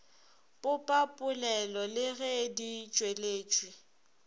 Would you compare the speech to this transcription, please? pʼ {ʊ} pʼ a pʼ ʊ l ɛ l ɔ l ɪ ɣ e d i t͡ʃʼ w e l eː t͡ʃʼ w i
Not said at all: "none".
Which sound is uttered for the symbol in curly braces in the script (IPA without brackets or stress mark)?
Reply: ʊ